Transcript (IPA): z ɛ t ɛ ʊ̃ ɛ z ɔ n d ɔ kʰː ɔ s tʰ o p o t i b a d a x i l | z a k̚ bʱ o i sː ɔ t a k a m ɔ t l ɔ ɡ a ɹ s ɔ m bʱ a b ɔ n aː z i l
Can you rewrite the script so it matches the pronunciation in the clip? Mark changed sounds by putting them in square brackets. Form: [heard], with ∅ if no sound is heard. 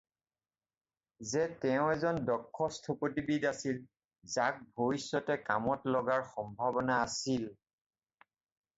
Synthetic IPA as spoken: z ɛ t ɛ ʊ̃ ɛ z ɔ n d ɔ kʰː ɔ s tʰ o p o t i b [i] d a [s] i l | z a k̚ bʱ o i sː ɔ t [ɛ] k a m ɔ t l ɔ ɡ a ɹ [x] ɔ m bʱ a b ɔ n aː [s] i l